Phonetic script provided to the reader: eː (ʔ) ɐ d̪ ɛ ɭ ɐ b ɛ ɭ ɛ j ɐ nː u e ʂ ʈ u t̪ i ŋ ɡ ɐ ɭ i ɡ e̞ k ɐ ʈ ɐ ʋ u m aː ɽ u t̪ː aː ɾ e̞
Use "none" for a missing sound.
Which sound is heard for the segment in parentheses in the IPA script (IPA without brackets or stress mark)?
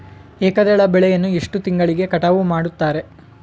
k